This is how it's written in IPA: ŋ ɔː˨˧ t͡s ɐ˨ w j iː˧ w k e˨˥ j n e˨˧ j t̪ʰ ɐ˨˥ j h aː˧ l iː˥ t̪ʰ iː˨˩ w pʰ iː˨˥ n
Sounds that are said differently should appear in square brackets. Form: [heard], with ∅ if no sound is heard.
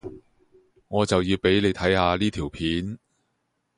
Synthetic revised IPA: ŋ ɔː˨˧ t͡s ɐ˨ w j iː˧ w [p] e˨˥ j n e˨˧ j t̪ʰ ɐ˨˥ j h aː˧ l iː˥ t̪ʰ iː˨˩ w pʰ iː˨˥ n